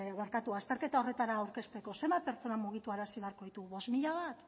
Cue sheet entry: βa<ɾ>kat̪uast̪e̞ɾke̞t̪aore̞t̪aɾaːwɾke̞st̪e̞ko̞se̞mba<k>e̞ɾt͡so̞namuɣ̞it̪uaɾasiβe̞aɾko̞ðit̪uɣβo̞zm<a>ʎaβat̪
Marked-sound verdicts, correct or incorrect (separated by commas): correct, incorrect, incorrect